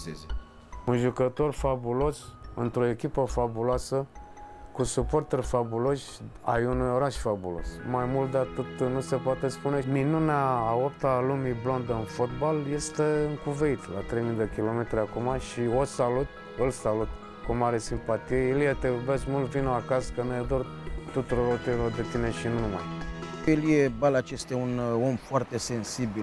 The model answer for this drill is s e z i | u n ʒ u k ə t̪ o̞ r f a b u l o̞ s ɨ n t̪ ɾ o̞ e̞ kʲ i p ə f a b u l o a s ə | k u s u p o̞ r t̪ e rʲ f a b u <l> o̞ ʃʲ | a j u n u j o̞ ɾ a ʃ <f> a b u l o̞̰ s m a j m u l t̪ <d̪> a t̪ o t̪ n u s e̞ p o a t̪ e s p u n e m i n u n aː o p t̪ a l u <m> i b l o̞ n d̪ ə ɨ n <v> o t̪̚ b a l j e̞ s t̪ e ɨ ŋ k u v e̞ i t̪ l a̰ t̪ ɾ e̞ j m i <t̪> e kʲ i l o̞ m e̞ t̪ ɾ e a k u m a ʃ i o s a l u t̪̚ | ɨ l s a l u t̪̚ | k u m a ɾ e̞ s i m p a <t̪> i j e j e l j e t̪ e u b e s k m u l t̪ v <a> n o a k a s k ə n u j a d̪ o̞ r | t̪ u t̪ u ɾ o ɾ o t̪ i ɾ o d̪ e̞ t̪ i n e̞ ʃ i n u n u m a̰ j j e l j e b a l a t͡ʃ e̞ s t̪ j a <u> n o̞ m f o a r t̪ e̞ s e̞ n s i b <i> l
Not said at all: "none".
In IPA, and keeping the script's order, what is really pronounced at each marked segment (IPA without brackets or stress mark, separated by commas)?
l, f, d̪, m, f, d̪, t̪, i, u, i